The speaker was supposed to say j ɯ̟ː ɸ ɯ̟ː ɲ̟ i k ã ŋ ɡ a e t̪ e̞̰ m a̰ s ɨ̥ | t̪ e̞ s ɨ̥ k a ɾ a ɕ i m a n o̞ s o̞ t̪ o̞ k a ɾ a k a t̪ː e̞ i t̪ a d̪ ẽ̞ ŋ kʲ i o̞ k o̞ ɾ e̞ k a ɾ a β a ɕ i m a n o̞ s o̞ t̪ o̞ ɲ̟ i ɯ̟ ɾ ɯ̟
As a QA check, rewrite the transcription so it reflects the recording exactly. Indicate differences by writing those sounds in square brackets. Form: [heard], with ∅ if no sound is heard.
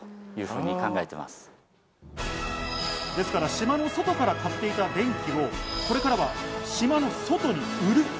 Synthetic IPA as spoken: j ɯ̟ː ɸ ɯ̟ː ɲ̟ i k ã ŋ ɡ a e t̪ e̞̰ m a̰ s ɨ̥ | [d̪] e̞ s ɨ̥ k a ɾ a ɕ i m a n o̞ s o̞ t̪ o̞ k a ɾ a k a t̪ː e̞ i t̪ a d̪ ẽ̞ ŋ kʲ i o̞ k o̞ ɾ e̞ k a ɾ a β a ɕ i m a n o̞ s o̞ t̪ o̞ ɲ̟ i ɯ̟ ɾ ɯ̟